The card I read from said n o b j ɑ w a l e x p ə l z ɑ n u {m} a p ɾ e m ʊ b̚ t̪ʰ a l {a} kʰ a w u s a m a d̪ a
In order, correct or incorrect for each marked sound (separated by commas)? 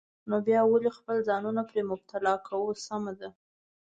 incorrect, incorrect